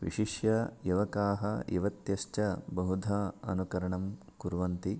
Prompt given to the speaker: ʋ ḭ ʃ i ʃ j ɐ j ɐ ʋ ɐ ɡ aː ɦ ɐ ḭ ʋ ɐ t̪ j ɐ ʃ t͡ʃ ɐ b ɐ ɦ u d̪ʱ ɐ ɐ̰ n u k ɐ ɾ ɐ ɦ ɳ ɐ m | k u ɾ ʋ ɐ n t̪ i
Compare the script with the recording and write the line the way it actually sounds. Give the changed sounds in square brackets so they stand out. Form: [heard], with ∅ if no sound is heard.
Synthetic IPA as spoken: ʋ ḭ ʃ i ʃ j ɐ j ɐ ʋ ɐ [k] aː ɦ ɐ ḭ ʋ ɐ t̪ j ɐ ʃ t͡ʃ ɐ b ɐ ɦ u d̪ʱ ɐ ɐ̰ n u k ɐ ɾ ɐ [∅] ɳ ɐ m | k u ɾ ʋ ɐ n t̪ i